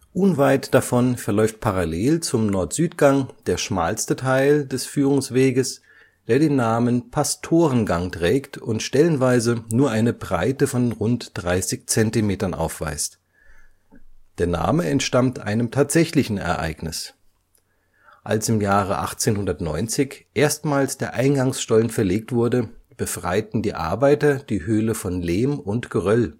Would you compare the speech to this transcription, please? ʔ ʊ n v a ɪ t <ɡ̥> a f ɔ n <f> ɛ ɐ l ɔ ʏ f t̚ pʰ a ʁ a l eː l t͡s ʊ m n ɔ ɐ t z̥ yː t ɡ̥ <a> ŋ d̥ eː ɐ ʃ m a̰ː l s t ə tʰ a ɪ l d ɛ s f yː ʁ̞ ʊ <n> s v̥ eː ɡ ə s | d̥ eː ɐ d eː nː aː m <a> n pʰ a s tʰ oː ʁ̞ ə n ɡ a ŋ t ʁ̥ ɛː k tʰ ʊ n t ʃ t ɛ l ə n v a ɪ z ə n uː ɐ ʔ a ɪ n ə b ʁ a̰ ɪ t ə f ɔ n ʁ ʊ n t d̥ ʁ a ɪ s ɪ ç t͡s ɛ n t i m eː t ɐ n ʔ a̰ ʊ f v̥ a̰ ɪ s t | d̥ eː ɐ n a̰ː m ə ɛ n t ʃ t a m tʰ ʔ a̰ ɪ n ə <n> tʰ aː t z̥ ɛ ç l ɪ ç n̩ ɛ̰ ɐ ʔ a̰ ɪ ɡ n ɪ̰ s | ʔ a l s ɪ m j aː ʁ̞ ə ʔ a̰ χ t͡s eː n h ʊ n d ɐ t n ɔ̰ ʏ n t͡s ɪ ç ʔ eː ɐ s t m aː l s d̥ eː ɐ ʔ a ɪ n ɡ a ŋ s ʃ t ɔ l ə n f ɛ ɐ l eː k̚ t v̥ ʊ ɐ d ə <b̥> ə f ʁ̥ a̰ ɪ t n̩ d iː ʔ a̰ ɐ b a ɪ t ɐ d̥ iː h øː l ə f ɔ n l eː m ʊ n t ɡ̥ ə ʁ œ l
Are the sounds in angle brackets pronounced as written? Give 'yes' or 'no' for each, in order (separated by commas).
no, yes, yes, no, no, no, yes